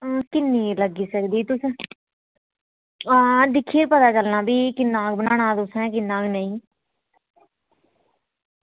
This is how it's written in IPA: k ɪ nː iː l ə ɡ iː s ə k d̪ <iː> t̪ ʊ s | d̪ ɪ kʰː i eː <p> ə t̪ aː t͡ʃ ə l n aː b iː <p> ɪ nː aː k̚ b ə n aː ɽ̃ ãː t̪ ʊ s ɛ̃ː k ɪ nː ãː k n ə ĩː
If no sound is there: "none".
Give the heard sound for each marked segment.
iː, p, k

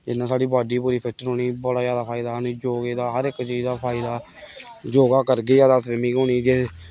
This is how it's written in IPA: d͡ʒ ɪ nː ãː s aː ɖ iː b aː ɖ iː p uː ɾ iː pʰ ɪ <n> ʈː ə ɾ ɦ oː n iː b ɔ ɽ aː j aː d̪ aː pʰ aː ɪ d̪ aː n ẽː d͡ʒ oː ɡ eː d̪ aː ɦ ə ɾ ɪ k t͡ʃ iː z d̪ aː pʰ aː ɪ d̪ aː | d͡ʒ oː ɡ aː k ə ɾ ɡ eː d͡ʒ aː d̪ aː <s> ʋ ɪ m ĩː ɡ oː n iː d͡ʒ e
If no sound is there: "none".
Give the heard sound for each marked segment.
none, s

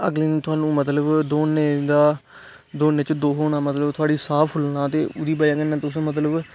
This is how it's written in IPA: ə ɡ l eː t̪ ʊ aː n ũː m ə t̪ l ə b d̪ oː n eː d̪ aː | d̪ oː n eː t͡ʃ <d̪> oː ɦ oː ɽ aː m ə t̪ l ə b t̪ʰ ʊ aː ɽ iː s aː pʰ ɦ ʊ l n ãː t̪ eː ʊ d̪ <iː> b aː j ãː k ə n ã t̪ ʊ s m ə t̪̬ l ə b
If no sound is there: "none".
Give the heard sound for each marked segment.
d̪, iː

